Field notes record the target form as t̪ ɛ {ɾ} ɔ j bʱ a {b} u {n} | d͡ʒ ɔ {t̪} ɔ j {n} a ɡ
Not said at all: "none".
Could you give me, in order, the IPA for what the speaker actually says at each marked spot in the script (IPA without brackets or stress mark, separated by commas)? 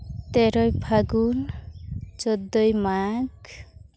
ɾ, ɡ, n, d̪, m